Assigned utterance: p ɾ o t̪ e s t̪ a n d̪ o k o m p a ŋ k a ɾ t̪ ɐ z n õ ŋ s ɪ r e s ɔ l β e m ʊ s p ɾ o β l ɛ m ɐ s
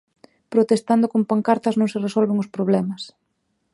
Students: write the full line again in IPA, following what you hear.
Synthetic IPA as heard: p ɾ o t̪ e s t̪ a n d̪ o k o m p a ŋ k a ɾ t̪ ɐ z n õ ŋ s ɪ r e s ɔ l β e ŋ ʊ s p ɾ o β l ɛ m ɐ s